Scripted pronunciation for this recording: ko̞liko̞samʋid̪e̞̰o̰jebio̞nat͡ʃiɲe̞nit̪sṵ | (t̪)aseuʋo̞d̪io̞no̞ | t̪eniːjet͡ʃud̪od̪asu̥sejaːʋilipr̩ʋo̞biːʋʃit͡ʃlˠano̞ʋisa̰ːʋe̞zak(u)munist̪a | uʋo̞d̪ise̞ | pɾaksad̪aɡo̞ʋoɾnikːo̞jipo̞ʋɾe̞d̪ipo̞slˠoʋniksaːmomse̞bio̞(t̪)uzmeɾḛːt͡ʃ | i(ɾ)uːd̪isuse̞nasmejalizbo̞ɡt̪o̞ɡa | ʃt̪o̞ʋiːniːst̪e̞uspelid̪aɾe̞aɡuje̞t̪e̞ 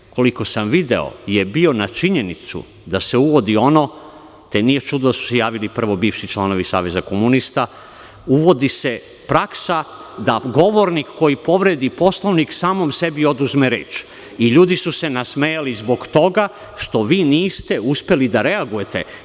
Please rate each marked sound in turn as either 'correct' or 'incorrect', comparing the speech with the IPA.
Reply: incorrect: d̪, incorrect: o, incorrect: d̪, incorrect: ʎ

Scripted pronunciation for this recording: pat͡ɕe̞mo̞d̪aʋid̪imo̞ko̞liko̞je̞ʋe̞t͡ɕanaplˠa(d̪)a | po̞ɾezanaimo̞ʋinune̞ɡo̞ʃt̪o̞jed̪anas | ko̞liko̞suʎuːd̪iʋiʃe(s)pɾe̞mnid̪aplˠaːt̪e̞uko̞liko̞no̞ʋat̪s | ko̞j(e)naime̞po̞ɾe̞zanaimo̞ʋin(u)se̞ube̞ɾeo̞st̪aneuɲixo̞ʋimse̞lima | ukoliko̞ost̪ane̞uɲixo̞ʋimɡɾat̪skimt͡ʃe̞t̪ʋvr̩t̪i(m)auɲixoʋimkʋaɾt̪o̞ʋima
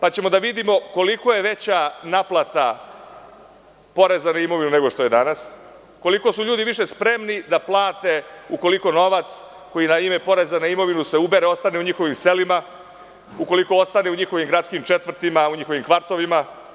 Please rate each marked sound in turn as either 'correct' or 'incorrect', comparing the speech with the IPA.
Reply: incorrect: t̪, correct, incorrect: i, correct, correct

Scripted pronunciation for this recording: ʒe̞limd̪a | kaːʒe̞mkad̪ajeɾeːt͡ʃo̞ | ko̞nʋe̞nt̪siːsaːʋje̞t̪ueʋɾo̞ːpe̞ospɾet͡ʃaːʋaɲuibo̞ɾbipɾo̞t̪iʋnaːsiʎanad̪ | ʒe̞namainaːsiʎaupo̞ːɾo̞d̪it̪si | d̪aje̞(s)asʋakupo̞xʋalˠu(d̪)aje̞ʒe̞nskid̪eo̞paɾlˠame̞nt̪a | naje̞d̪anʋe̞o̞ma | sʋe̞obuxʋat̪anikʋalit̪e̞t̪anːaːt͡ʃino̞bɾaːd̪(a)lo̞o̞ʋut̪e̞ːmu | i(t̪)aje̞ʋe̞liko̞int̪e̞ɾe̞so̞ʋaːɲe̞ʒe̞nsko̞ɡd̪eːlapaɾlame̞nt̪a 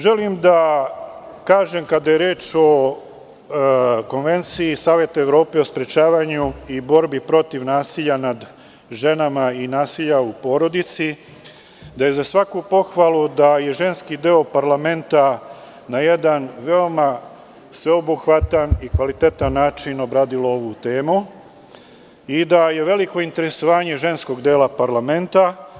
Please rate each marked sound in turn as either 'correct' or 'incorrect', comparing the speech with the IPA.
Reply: incorrect: z, correct, incorrect: i, incorrect: d̪

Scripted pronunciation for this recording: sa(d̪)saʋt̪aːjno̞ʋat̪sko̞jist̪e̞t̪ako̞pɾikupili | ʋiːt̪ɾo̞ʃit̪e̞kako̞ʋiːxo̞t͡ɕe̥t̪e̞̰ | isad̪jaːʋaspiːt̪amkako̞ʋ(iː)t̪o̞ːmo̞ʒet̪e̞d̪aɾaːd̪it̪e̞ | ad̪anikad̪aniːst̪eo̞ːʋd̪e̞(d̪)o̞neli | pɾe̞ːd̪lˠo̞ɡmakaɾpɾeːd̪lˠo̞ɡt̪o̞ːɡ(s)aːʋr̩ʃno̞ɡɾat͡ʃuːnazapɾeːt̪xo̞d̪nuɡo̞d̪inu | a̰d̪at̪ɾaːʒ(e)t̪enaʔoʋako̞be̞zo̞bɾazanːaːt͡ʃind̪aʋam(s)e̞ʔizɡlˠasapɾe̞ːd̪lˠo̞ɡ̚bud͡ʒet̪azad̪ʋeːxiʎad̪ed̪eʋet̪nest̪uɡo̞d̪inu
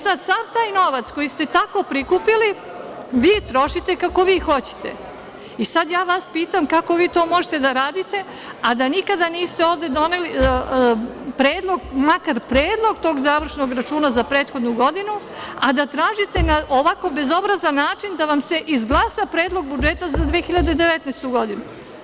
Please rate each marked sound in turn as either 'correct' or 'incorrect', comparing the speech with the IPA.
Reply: correct, correct, correct, incorrect: z, incorrect: i, correct

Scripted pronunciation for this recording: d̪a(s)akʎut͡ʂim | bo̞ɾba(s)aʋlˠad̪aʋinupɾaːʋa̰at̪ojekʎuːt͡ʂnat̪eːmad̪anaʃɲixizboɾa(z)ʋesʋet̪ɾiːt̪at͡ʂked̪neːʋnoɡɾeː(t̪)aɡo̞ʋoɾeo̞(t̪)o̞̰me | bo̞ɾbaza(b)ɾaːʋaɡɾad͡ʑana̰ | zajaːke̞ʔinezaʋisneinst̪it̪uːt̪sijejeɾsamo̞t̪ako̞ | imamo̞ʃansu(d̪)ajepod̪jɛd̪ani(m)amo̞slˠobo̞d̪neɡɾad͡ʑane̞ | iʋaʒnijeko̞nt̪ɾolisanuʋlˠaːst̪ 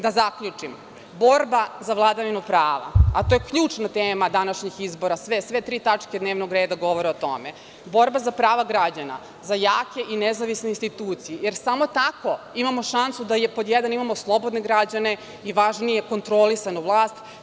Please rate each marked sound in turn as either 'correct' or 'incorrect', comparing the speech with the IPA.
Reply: incorrect: z, incorrect: z, incorrect: s, incorrect: d̪, correct, incorrect: p, correct, correct

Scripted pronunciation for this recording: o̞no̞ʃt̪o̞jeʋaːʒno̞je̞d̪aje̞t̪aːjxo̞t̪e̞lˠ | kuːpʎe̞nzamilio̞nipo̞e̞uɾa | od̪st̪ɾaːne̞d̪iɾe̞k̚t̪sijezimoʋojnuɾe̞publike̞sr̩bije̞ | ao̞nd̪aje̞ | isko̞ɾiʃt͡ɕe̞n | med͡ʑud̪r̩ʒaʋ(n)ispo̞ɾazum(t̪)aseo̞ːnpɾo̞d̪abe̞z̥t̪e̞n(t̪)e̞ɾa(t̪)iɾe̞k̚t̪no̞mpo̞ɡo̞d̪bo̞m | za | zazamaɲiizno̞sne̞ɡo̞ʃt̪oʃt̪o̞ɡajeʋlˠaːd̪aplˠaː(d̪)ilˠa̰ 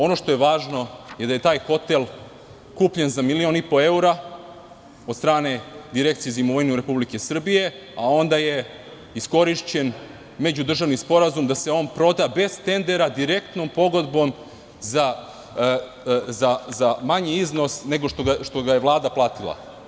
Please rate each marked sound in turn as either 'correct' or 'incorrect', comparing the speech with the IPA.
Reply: correct, incorrect: d̪, incorrect: d̪, incorrect: d̪, incorrect: t̪

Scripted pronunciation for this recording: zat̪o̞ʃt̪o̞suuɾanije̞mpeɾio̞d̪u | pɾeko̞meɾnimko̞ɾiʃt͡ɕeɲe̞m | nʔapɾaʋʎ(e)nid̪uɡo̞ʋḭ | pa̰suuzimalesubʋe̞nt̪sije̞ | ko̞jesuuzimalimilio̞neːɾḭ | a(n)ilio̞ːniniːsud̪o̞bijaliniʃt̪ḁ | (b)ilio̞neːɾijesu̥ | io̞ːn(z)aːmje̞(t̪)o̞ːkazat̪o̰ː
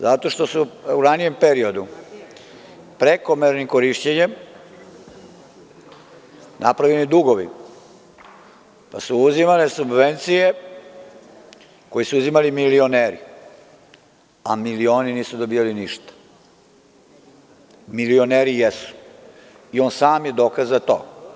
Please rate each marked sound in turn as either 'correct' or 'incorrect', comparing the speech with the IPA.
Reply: correct, incorrect: m, incorrect: m, incorrect: s, incorrect: d̪

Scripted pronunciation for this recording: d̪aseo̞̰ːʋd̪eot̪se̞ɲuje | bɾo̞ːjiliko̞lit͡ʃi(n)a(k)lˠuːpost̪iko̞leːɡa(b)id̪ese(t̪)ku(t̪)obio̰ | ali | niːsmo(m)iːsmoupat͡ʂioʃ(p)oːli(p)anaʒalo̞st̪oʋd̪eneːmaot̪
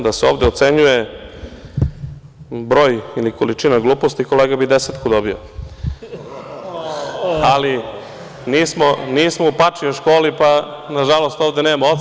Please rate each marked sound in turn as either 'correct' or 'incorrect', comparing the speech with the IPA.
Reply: correct, incorrect: ɡ, correct, correct, incorrect: d̪, incorrect: n, incorrect: k, correct

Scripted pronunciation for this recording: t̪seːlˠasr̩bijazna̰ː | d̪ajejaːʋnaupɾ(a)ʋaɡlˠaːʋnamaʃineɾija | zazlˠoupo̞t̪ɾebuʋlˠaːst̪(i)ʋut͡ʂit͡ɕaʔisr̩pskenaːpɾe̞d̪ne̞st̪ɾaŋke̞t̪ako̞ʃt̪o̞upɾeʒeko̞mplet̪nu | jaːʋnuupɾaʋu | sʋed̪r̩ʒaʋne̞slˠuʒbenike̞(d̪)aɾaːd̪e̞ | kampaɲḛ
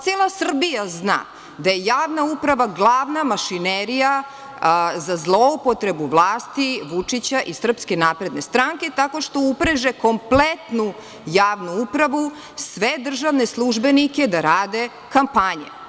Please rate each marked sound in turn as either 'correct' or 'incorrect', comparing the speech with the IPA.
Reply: correct, correct, correct

